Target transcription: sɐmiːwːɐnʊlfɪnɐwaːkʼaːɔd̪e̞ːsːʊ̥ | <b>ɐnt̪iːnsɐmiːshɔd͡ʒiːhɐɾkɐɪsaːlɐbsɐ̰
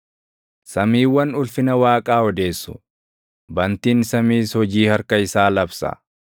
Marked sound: correct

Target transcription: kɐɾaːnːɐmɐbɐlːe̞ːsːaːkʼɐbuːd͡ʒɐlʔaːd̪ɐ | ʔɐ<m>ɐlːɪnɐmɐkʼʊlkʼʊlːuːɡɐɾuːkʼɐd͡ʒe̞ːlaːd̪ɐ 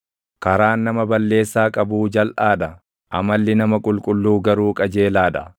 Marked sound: correct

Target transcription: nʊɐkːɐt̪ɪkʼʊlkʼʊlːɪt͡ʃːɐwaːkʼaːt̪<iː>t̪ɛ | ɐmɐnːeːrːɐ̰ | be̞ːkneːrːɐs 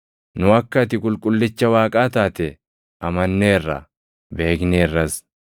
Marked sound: incorrect: aː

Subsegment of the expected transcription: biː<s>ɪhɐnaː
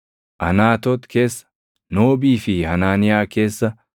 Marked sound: incorrect: f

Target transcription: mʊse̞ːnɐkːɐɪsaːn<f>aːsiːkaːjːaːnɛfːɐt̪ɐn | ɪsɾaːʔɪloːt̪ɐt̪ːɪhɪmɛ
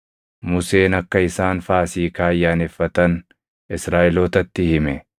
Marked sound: correct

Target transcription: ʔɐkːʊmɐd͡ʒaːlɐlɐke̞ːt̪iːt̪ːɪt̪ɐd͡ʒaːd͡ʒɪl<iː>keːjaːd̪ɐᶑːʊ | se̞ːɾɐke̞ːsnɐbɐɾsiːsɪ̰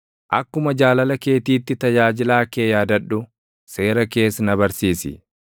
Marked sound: incorrect: aː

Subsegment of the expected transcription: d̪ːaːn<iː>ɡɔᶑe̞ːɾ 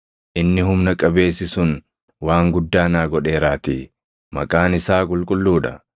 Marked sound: incorrect: aː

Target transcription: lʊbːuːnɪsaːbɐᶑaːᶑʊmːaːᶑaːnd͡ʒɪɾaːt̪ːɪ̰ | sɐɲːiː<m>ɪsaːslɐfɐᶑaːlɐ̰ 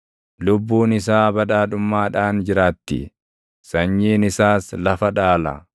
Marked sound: incorrect: n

